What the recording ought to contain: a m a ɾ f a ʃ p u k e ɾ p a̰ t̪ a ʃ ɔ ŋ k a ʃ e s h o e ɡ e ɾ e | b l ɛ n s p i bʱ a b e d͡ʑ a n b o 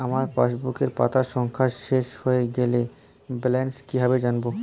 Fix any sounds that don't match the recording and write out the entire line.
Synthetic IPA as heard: a m a ɾ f a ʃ b u k e ɾ p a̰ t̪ a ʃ ɔ ŋ kʰ a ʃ e ʃ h o e ɡ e l e | b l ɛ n s k i bʱ a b e d͡ʑ a n b o